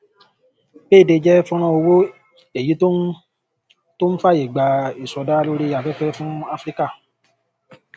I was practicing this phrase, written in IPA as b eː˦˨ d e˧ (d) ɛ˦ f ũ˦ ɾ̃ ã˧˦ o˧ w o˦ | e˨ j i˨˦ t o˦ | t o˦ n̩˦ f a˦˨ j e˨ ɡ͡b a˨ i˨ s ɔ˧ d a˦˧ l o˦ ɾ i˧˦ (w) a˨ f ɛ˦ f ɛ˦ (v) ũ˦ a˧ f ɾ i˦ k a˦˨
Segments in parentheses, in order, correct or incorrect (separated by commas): incorrect, incorrect, incorrect